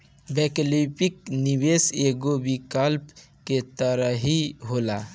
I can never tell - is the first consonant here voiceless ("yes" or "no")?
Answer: no